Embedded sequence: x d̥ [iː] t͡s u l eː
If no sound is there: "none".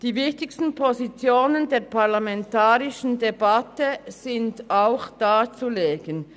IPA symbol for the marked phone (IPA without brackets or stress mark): aː